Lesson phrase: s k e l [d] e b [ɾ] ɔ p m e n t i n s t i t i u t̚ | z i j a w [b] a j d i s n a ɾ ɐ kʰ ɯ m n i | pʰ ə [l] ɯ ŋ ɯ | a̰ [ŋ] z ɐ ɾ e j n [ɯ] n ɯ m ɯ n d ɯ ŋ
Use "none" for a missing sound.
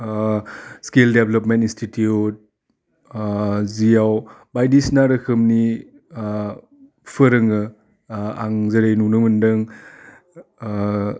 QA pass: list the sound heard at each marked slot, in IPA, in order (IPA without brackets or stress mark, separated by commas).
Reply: d, l, b, ɾ, ŋ, u